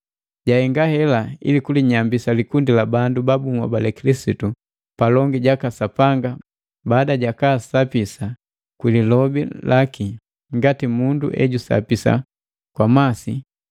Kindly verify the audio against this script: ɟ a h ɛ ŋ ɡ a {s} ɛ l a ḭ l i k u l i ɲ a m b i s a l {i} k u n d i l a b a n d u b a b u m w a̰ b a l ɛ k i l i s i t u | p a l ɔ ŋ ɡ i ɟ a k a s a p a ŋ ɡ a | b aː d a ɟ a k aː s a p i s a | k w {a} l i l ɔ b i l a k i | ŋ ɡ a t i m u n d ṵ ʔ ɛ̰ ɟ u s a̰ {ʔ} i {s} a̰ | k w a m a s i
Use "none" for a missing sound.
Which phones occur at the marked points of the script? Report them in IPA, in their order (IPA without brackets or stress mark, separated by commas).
h, i, i, p, s